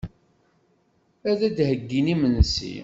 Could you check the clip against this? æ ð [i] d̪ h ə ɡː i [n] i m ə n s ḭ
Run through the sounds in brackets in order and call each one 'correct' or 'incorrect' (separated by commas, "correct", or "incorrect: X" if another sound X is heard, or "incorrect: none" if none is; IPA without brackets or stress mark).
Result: incorrect: æ, correct